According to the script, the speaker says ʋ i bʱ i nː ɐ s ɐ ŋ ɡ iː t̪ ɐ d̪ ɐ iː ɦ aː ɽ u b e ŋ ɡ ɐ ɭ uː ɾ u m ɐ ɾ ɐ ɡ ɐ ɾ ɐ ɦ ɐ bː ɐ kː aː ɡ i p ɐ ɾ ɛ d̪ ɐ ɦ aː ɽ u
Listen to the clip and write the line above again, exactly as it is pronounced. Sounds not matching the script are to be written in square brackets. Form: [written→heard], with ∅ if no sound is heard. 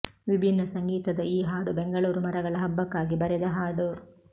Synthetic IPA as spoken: ʋ i bʱ i nː ɐ s ɐ ŋ ɡ iː t̪ ɐ d̪ ɐ iː ɦ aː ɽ u b e ŋ ɡ ɐ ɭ uː ɾ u m ɐ ɾ ɐ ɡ ɐ [ɾ→ɭ] ɐ ɦ ɐ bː ɐ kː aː ɡ i [p→b] ɐ ɾ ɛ d̪ ɐ ɦ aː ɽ u

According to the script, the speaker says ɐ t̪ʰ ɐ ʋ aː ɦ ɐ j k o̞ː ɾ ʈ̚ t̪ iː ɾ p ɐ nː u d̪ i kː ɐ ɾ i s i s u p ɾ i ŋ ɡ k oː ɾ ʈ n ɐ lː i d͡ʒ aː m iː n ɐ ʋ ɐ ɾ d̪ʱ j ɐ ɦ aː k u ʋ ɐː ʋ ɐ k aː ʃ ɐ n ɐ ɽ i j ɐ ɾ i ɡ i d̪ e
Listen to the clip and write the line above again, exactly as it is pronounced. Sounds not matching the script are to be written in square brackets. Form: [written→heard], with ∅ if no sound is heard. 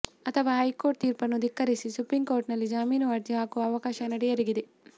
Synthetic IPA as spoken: ɐ t̪ʰ ɐ ʋ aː ɦ ɐ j k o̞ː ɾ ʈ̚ t̪ iː ɾ p ɐ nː u d̪ i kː ɐ ɾ i s i s u p ɾ i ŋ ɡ k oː ɾ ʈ n ɐ lː i d͡ʒ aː m iː n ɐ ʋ ɐ ɾ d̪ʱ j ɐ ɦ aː k u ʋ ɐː ʋ ɐ k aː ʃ ɐ n ɐ ɽ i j ɐ ɾ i ɡ i d̪ e

